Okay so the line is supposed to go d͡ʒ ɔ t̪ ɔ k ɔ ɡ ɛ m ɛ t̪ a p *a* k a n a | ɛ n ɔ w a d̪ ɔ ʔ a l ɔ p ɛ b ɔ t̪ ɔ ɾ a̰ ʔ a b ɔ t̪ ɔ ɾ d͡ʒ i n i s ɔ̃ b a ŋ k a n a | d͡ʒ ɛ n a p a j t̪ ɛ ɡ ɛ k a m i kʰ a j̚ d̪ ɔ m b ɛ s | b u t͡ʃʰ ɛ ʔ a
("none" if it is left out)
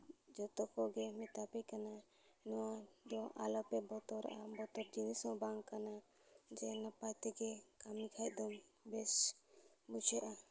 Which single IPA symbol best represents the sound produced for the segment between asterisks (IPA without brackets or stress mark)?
ɛ